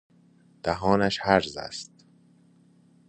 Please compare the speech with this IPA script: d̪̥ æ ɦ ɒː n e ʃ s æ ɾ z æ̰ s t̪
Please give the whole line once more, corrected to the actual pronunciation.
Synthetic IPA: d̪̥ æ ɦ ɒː n æ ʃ h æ ɾ z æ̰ s t̪